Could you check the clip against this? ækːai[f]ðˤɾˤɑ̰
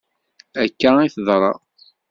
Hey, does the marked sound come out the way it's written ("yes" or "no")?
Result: no